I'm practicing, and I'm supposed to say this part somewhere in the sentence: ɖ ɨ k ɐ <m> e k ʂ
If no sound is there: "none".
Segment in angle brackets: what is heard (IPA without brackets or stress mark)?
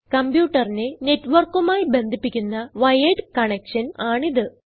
ɳ